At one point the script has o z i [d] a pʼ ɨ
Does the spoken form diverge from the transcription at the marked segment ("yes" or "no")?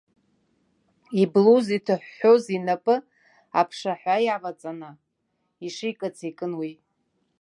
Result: yes